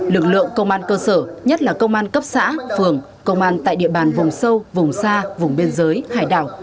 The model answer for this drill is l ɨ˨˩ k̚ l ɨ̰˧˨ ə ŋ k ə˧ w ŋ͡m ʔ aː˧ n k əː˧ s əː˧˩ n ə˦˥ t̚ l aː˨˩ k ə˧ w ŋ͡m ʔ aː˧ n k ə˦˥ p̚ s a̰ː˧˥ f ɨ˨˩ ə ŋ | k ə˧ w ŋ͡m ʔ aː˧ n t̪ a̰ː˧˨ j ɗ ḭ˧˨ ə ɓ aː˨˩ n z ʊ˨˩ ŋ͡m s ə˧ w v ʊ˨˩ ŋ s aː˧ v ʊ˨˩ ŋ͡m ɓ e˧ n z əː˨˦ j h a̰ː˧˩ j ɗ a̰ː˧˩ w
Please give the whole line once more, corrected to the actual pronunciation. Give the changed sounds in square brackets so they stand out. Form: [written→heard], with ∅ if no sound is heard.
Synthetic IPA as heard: l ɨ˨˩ k̚ l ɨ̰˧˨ ə ŋ k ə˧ w ŋ͡m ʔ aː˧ n k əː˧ s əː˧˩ [n→ɲ] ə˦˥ t̚ l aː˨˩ k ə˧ w ŋ͡m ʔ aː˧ n k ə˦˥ p̚ s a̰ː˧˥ f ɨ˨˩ ə ŋ | k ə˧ w ŋ͡m ʔ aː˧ n t̪ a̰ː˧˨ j ɗ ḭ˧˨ ə ɓ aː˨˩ n [z→v] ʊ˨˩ ŋ͡m s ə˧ w v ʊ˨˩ [ŋ→ŋ͡m] s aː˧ v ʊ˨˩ ŋ͡m ɓ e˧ n z əː˨˦ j h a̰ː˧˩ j ɗ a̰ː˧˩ w